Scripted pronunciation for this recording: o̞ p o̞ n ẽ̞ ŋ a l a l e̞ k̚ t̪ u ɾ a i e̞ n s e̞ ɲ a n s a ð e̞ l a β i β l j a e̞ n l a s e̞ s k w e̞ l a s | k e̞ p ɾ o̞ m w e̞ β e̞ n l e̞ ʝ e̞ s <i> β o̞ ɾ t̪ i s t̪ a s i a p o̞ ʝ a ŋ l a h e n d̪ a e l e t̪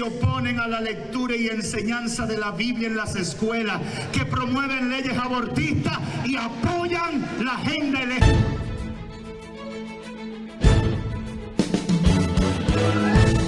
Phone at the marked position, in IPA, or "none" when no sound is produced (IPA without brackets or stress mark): a